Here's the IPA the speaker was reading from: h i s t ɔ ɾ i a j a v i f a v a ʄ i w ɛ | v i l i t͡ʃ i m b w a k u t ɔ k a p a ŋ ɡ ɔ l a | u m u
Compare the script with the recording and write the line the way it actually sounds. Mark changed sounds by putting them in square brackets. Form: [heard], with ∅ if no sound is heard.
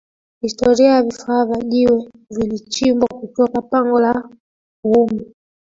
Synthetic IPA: h i s t ɔ ɾ i a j a v i f a v a ʄ i w ɛ | v i l i t͡ʃ i m b w a k u t ɔ k a p a ŋ ɡ ɔ l a | u m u